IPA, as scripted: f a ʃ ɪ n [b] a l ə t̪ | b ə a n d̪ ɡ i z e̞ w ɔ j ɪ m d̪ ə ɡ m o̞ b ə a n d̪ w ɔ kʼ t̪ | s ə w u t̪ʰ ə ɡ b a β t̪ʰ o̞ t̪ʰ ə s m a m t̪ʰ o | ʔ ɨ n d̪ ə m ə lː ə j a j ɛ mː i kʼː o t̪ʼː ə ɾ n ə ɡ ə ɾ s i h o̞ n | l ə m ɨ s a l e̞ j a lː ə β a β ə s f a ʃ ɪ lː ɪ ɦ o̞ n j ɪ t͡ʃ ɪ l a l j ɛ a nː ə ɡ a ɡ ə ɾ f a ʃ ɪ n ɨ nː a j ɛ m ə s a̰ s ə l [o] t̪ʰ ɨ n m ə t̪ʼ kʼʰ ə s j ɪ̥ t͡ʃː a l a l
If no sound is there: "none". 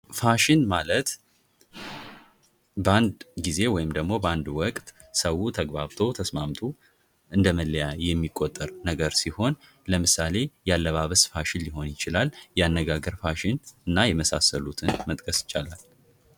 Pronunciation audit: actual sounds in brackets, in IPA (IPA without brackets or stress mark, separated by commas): m, u